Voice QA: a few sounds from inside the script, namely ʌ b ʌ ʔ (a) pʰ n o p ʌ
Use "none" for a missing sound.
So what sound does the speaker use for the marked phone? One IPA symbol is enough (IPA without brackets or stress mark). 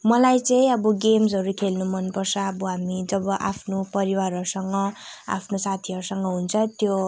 a